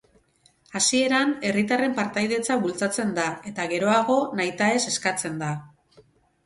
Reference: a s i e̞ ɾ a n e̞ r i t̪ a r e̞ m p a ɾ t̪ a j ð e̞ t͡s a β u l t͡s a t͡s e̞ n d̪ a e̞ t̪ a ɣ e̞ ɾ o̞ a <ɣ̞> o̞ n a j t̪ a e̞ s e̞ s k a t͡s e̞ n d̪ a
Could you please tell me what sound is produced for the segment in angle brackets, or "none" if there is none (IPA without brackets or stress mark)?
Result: ɣ̞